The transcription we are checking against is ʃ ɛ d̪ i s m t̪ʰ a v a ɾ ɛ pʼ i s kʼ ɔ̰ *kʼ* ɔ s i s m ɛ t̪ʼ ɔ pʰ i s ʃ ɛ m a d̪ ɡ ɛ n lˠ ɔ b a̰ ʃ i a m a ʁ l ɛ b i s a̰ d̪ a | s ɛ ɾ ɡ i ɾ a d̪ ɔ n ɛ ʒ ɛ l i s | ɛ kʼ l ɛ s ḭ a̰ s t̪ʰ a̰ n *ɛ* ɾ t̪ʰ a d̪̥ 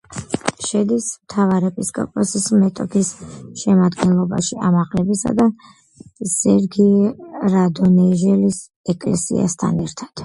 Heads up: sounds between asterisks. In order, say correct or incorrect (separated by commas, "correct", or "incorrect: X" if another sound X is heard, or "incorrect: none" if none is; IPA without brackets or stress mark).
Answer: incorrect: pʼ, correct